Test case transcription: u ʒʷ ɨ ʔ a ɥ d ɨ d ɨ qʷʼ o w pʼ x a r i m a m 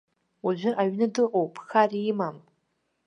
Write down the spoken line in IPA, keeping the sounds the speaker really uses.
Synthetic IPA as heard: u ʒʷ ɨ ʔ a ɥ n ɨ d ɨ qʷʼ o w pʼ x a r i m a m